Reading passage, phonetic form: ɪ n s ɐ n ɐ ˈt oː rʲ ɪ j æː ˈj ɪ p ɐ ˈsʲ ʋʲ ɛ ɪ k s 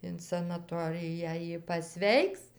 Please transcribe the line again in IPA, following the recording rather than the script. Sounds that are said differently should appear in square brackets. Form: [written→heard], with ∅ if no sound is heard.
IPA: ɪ n s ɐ n ɐ ˈt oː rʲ ɪ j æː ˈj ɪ p ɐ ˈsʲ ʋʲ ɛ ɪ k s